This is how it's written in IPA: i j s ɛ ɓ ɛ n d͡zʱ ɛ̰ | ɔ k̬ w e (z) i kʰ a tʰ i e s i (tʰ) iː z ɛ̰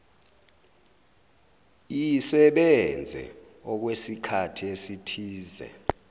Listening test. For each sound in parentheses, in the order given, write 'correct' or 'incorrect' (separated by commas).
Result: incorrect, correct